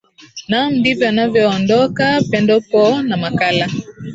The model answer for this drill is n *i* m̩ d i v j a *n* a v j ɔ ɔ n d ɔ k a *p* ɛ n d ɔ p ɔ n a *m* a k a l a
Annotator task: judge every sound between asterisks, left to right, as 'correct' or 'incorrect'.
incorrect: a, correct, correct, correct

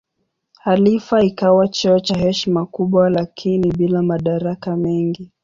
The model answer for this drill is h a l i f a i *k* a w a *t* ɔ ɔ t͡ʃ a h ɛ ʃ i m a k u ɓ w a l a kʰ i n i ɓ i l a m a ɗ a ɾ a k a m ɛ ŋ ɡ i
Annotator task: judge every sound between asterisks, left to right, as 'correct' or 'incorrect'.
correct, incorrect: t͡ʃ

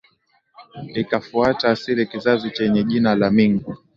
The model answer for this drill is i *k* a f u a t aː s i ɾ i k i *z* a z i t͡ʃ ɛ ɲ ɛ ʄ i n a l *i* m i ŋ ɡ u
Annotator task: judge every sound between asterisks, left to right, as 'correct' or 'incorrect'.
correct, correct, incorrect: a

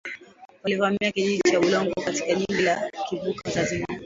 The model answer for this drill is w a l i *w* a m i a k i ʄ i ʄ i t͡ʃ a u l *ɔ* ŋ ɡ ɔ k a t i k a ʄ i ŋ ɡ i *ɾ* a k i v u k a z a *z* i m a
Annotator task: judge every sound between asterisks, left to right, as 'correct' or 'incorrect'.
incorrect: v, correct, incorrect: l, correct

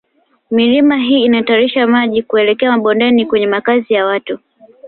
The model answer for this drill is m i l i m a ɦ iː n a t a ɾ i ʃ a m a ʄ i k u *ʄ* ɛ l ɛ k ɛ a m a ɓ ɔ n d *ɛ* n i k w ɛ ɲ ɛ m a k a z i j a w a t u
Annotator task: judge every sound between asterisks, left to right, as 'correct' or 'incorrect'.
incorrect: none, correct

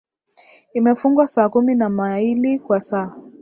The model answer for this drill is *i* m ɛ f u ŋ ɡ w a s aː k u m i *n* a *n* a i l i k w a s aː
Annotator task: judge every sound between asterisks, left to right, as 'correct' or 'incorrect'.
correct, correct, incorrect: m

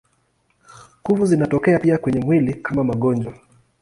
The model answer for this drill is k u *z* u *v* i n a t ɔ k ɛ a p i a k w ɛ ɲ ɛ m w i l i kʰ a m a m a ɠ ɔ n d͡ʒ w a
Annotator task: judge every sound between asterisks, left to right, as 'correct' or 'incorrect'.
incorrect: v, incorrect: z

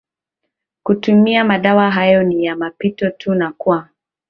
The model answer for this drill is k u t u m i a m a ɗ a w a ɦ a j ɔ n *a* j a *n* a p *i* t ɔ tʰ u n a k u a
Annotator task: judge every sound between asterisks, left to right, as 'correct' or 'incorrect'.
incorrect: i, incorrect: m, correct

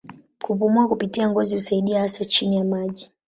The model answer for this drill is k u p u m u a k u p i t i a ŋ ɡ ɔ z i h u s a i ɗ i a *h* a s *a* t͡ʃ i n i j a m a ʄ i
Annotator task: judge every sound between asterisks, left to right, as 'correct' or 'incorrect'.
correct, correct

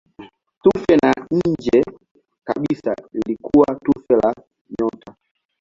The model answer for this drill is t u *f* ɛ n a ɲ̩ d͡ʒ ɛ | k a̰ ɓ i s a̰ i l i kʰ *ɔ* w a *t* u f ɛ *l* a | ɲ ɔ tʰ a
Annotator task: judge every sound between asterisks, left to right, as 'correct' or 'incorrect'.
correct, incorrect: u, correct, correct

